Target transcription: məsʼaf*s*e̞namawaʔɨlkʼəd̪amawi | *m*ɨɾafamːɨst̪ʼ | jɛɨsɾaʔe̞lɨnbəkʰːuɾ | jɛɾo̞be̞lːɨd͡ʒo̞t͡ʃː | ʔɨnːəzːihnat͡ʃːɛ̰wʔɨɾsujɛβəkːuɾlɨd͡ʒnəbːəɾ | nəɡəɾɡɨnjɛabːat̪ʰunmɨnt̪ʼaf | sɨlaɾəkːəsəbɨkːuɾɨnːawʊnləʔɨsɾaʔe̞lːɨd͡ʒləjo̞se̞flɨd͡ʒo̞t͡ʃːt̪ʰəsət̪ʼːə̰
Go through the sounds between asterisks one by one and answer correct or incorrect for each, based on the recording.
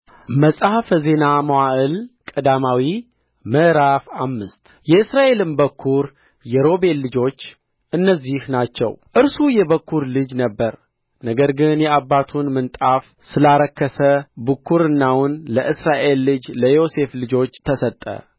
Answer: incorrect: z, correct

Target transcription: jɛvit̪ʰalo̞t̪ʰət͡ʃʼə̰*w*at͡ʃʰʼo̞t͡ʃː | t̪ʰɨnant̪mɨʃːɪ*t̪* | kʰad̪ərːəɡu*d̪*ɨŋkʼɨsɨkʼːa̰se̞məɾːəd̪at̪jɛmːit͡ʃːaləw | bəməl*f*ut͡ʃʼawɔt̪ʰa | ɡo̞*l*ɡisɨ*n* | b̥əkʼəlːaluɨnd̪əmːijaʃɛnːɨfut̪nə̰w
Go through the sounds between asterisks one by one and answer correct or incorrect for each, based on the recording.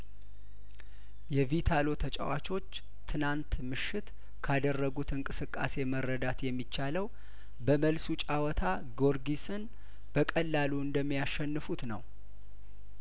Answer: correct, correct, incorrect: t̪, incorrect: s, incorrect: ɾ, correct

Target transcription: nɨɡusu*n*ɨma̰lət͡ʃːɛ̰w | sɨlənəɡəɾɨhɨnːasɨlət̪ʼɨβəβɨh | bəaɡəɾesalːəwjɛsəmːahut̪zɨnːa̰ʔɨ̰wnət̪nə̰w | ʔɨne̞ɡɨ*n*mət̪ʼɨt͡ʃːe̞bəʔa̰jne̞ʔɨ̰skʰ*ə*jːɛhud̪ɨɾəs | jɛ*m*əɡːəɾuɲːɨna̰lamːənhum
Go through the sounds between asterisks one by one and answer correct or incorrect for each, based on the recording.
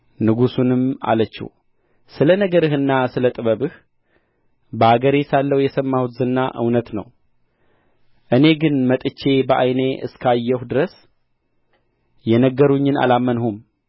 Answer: correct, correct, incorrect: a, incorrect: n

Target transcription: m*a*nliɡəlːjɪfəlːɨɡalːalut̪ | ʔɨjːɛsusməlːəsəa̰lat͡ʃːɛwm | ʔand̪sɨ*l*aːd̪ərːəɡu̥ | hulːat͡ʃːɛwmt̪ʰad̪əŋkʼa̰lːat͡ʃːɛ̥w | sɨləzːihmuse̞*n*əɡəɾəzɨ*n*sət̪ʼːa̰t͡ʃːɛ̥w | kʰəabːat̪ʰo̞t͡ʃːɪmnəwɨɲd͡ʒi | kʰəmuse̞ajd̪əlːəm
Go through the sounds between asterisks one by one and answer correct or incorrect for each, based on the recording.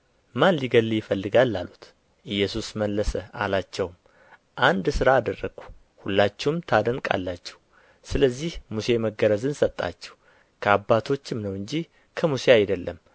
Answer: correct, incorrect: ɾ, incorrect: m, correct

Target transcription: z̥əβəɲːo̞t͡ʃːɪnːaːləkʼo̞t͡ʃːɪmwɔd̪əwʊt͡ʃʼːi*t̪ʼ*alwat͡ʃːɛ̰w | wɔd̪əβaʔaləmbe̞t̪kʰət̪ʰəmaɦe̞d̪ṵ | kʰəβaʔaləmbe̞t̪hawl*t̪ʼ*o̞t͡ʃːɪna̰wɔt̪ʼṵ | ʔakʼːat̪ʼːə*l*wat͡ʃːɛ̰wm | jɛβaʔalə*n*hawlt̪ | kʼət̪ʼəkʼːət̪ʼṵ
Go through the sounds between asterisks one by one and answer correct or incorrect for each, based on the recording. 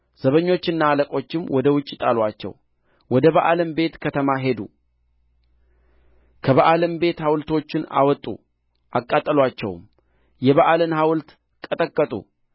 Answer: correct, incorrect: t̪, correct, correct

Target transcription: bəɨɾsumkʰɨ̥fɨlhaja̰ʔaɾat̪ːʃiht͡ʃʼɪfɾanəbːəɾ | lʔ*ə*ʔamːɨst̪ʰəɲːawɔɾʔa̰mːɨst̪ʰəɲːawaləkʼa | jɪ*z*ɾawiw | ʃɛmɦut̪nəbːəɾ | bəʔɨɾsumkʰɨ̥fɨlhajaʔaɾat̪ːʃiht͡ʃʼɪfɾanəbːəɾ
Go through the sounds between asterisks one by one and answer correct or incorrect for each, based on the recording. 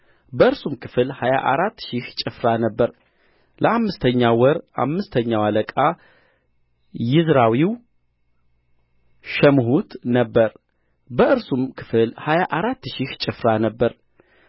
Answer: correct, correct

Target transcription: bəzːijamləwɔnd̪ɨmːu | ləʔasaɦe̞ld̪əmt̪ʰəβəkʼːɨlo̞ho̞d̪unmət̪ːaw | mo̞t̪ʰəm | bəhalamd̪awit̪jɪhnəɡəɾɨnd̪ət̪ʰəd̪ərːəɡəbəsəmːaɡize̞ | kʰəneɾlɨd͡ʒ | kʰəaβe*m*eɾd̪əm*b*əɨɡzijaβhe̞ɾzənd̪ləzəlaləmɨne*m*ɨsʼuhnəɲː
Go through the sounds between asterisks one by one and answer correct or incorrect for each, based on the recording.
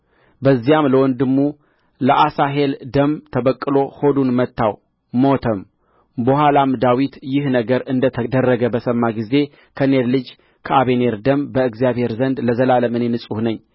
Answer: incorrect: n, correct, incorrect: n

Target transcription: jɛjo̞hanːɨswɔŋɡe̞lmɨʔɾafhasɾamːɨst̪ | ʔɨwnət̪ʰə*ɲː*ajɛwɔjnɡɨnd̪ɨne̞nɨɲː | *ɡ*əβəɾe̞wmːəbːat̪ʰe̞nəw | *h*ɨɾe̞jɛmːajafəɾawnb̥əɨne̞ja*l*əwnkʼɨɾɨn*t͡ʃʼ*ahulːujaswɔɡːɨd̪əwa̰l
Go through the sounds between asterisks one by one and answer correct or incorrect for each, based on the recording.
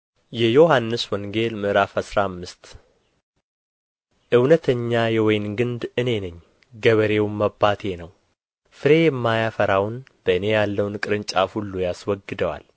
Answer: correct, correct, incorrect: f, incorrect: lː, correct

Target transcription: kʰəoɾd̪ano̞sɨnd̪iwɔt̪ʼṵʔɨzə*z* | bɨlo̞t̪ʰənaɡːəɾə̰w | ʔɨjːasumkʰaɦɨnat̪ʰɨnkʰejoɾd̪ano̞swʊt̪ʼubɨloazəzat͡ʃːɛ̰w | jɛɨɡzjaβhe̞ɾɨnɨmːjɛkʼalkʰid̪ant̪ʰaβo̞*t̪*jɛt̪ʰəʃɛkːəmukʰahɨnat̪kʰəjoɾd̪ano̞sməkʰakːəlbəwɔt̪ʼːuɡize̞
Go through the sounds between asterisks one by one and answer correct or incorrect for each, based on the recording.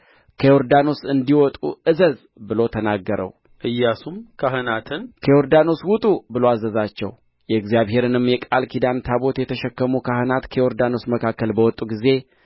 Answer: correct, correct

